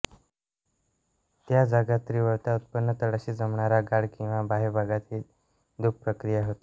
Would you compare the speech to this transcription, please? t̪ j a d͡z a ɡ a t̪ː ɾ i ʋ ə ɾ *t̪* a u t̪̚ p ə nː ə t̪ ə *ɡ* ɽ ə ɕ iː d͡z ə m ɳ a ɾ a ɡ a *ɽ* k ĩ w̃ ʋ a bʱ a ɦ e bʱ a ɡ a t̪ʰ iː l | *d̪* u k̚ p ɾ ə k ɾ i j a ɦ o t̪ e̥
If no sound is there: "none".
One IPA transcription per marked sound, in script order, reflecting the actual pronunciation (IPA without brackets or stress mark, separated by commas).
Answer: t̪, none, ɽ, d̪